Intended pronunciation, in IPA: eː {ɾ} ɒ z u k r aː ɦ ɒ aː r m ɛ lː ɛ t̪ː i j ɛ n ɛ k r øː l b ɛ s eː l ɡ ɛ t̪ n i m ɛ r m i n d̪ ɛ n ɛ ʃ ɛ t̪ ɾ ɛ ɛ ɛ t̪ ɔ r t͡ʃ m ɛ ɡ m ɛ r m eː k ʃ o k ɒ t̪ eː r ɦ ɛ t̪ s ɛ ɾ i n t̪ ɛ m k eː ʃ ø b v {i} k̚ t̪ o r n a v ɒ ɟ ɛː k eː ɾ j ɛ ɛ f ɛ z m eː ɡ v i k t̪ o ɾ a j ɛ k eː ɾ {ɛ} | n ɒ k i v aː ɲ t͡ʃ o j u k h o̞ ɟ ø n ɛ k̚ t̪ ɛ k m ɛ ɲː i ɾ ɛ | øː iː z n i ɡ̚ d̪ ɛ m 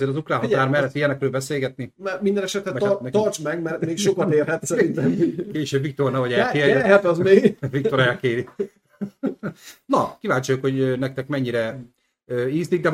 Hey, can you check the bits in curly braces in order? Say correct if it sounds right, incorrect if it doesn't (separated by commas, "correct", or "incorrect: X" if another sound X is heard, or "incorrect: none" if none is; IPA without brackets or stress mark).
correct, correct, incorrect: i